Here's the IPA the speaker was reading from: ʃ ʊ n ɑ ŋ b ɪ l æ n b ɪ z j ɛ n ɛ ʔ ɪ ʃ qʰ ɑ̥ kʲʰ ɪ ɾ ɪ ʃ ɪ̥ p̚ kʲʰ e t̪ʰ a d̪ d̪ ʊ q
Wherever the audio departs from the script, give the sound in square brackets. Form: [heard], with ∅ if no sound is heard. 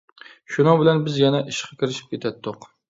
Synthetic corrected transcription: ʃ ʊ n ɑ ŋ b ɪ l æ n b ɪ z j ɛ n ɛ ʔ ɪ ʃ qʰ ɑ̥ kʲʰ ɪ ɾ ɪ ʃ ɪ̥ p̚ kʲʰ e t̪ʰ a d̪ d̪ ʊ q